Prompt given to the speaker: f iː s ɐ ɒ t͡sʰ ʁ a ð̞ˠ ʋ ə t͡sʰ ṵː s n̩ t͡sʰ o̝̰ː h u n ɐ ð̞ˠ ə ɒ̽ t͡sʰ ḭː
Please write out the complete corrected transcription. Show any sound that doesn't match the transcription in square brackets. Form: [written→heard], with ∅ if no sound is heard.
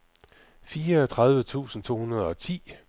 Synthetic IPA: f iː [s→∅] ɐ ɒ t͡sʰ ʁ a ð̞ˠ ʋ ə t͡sʰ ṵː s n̩ t͡sʰ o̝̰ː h u n ɐ ð̞ˠ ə ɒ̽ t͡sʰ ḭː